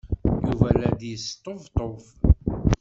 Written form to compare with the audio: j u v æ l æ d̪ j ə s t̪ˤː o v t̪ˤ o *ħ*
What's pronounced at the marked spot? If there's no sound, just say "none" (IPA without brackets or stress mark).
f